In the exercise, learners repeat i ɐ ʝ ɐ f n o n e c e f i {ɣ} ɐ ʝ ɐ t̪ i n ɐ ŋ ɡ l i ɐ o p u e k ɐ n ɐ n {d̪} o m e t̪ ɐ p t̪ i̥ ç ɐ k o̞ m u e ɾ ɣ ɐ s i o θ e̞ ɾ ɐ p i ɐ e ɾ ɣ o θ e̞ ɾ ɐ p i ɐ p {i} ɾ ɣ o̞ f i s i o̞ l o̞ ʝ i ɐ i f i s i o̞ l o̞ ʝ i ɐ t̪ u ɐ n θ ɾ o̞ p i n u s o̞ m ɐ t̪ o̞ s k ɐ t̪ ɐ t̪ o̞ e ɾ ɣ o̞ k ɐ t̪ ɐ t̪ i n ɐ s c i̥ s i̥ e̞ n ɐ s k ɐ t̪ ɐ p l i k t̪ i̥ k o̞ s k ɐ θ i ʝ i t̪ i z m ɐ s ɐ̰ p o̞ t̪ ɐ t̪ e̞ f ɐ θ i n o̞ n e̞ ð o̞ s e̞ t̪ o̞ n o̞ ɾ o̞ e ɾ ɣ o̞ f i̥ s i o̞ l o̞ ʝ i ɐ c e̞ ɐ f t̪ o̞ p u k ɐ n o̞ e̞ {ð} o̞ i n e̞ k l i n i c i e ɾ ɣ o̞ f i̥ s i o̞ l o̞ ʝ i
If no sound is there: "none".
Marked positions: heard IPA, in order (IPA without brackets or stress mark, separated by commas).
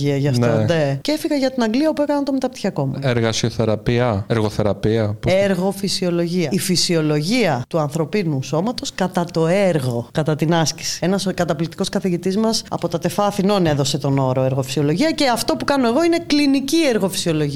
ɣ, t̪, e, ɣ